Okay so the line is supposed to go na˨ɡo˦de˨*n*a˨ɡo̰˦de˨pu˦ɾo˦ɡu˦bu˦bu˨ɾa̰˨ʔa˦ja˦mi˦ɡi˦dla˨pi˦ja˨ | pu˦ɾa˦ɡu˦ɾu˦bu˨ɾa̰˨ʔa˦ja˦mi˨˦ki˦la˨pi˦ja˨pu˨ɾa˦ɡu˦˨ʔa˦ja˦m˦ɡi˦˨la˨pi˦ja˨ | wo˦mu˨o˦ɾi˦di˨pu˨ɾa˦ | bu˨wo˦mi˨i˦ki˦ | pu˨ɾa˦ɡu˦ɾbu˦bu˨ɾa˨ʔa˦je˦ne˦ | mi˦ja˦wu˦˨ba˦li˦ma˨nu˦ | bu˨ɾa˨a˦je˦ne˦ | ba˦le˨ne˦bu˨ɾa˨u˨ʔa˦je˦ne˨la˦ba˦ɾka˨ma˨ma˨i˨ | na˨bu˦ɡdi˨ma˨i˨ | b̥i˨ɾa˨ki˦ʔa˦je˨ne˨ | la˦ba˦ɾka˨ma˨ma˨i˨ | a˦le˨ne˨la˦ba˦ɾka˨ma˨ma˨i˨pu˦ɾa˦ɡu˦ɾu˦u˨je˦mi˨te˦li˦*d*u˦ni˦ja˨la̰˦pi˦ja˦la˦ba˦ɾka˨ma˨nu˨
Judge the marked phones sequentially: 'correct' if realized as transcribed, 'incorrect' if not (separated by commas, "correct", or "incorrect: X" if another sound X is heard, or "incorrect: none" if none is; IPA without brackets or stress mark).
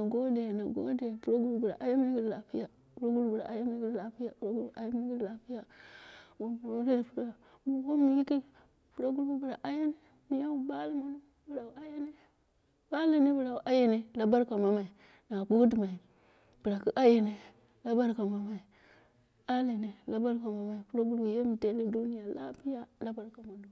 correct, correct